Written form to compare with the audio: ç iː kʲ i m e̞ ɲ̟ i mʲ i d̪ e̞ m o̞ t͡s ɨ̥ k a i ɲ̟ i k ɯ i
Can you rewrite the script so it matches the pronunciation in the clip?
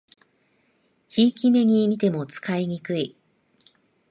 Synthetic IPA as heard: ç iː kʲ i m e̞ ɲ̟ i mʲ i t̪ e̞ m o̞ t͡s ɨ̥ k a i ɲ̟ i k ɯ i